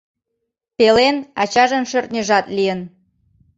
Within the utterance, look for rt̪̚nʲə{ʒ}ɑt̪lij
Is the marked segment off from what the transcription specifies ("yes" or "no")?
no